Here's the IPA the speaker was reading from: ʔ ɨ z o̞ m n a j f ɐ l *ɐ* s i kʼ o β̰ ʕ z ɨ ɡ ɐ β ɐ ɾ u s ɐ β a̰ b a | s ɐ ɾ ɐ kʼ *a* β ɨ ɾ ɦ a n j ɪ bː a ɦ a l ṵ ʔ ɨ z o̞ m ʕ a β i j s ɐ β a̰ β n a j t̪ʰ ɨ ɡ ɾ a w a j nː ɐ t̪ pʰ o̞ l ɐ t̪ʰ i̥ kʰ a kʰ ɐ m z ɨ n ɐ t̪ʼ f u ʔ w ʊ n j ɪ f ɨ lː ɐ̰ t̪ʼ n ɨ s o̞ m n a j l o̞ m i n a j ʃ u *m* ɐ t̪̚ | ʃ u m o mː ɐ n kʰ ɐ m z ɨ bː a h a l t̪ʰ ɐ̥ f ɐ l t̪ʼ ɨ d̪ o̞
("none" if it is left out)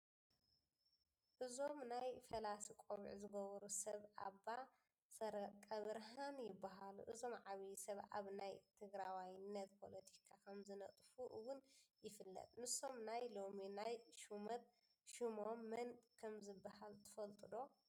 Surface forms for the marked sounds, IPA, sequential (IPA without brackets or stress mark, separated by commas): a, ɐ, m